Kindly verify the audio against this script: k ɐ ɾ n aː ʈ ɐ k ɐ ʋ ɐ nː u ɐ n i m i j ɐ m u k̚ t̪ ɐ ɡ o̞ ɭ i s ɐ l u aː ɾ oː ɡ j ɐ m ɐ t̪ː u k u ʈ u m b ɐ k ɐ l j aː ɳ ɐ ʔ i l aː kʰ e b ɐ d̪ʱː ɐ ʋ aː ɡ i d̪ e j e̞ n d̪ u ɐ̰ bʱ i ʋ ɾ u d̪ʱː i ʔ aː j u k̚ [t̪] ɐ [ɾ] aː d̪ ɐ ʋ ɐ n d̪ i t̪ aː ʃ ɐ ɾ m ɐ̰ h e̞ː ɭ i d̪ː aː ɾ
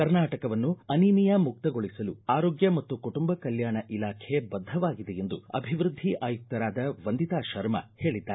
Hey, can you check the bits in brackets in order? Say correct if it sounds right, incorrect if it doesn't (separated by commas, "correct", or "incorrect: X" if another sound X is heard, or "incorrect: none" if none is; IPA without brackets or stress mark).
correct, correct